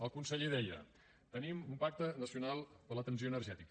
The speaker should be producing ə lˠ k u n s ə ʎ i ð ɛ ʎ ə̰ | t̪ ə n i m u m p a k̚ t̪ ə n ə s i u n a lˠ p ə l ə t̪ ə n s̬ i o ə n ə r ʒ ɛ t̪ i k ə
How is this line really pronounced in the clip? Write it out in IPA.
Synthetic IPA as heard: ə lˠ k u n s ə ʎ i ð ɛ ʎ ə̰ | t̪ ə n i m u m p a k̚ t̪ ə n ə s i u n a lˠ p ə l ə t̪ ə n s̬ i o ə n ə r ʒ ɛ t̪ i k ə